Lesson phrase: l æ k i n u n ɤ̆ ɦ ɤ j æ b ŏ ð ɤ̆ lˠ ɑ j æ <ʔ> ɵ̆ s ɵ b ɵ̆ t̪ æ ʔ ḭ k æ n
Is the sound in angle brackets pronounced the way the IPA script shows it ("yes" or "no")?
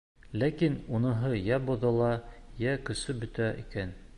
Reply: no